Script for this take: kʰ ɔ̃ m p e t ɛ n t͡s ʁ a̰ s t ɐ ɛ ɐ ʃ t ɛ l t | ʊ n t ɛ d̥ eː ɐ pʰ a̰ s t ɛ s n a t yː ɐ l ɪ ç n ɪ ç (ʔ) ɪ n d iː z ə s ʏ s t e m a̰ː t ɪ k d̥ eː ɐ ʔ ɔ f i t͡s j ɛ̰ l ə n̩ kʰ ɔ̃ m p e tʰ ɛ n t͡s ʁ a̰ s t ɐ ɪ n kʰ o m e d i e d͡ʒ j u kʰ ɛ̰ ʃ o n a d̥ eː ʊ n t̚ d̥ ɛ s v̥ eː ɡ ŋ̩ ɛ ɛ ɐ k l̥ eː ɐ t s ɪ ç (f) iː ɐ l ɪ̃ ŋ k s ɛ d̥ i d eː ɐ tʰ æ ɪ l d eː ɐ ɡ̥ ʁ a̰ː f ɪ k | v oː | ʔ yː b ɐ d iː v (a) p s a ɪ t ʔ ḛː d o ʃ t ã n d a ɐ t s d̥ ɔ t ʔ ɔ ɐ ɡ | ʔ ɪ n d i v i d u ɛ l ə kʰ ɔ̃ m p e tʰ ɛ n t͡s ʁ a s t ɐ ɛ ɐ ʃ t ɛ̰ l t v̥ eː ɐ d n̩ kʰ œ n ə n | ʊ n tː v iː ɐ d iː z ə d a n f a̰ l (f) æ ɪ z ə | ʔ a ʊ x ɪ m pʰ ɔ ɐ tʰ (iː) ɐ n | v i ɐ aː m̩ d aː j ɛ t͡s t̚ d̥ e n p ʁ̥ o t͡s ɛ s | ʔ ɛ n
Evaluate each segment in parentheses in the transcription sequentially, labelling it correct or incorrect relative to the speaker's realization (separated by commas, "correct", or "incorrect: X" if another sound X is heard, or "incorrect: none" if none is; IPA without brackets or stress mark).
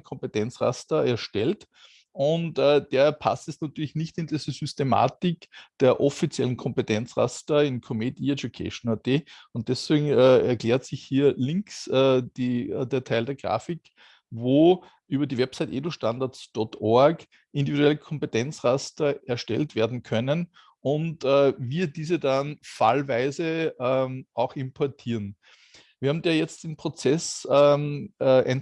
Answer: incorrect: t, incorrect: h, incorrect: ɛ, incorrect: v, correct